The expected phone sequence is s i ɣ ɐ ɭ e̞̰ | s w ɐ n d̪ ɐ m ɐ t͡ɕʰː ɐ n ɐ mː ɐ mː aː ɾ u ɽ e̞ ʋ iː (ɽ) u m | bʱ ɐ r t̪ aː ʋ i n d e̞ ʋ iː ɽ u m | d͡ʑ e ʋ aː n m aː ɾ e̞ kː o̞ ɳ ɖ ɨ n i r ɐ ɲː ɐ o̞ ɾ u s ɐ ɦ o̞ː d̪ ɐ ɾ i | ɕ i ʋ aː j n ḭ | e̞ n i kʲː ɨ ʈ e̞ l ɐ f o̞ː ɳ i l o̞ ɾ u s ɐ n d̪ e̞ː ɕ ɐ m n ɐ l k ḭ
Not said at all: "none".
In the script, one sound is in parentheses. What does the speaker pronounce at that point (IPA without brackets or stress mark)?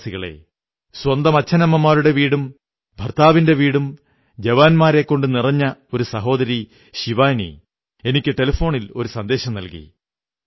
ɽ